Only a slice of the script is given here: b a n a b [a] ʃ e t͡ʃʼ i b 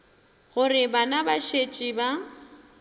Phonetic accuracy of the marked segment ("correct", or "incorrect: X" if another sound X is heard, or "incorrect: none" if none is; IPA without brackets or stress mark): correct